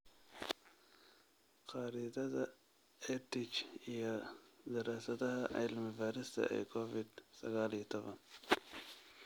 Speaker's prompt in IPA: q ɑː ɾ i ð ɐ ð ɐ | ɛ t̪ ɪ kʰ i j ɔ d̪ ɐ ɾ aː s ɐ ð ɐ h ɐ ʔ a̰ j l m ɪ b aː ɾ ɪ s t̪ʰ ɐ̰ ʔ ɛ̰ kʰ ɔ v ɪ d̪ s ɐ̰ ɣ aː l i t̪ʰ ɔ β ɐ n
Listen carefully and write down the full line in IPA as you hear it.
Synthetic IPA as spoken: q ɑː ɾ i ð ɐ ð ɐ | ɛ t̪ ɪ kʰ i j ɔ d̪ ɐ ɾ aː s ɐ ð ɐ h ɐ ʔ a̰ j l m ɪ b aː ɾ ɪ s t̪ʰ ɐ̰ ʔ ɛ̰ kʰ ɔ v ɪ d̪ s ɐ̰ ɣ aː l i t̪ʰ ɔ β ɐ n